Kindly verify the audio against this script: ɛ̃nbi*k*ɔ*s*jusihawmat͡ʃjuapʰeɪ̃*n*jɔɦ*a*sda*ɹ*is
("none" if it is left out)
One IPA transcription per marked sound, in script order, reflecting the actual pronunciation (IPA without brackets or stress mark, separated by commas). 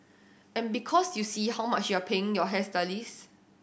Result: kʰ, s, ŋ, ɛ, l